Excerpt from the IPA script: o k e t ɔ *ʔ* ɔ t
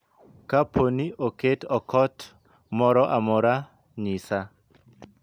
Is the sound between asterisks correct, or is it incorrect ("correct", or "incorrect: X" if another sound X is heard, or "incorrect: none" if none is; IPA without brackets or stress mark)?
incorrect: k